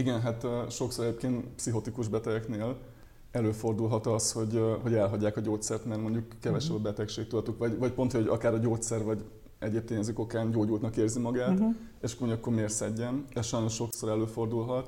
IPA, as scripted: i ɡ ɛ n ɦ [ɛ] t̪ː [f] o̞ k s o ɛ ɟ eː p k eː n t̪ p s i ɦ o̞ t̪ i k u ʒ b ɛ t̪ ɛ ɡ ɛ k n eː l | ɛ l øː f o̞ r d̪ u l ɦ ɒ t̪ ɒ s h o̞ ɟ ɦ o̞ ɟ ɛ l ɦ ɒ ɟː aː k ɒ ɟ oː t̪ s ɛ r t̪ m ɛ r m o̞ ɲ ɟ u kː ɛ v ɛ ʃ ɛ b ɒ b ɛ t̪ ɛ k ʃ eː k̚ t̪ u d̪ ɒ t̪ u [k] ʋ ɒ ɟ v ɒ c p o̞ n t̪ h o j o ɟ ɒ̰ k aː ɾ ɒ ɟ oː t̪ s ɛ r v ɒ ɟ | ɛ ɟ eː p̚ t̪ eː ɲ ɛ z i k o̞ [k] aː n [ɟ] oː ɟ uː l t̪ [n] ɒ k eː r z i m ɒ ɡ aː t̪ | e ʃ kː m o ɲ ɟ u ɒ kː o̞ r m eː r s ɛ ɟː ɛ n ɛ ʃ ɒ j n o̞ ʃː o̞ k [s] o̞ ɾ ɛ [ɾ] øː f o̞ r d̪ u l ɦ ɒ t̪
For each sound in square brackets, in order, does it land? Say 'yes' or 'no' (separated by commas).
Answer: no, no, yes, yes, yes, yes, yes, no